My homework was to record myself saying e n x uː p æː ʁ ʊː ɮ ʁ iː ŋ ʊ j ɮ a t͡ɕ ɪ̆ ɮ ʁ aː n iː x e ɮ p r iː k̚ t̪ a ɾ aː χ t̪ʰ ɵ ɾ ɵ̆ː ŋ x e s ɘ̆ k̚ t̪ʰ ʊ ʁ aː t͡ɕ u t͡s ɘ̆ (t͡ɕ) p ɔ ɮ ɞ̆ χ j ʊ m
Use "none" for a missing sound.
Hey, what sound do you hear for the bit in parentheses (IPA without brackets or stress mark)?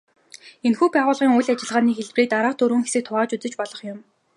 t͡ɕ